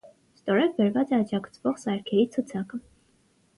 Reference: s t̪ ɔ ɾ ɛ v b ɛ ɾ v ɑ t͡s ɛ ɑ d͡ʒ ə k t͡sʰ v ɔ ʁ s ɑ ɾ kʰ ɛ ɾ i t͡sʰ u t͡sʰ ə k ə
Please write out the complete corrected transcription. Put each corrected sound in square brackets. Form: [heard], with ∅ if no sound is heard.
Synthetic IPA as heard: s t̪ ɔ ɾ ɛ v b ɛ ɾ v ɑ t͡s ɛ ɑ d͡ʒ [ɑ] k t͡sʰ v ɔ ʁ s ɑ ɾ kʰ ɛ ɾ i t͡sʰ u t͡sʰ [ɑ] k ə